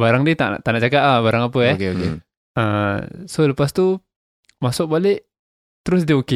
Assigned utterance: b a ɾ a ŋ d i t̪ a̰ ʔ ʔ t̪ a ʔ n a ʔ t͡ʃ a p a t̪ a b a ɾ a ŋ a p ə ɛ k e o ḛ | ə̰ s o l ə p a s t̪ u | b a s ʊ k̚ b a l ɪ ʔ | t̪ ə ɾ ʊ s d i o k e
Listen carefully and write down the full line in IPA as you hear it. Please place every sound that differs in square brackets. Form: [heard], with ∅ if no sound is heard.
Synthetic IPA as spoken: b a ɾ a ŋ d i t̪ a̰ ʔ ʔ t̪ a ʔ n a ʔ t͡ʃ a [k] a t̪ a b a ɾ a ŋ a p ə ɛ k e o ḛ | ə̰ s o l ə p a s t̪ u | [m] a s ʊ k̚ b a l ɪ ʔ | t̪ ə ɾ ʊ s d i o k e